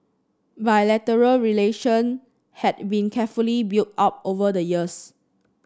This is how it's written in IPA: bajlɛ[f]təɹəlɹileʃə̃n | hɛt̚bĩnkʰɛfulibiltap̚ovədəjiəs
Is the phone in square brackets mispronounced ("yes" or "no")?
yes